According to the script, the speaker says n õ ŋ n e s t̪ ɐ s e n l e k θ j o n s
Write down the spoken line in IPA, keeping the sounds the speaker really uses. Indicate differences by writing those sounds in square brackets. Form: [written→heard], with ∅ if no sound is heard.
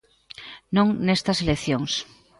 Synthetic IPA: n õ ŋ n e s t̪ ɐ s e [n→∅] l e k θ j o [n→ŋ] s